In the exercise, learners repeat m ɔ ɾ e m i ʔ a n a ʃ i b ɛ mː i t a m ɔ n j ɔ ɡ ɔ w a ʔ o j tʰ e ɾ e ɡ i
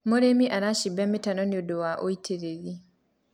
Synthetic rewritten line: m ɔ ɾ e m i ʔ a n a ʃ i b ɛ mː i t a n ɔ n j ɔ d ɔ w a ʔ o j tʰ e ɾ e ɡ i